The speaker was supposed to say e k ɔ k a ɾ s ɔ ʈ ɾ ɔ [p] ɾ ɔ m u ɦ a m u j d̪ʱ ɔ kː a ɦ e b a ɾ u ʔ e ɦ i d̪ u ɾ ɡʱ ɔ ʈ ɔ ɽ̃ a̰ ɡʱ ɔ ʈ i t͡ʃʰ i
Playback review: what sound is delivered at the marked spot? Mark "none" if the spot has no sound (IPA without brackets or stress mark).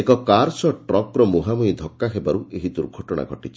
k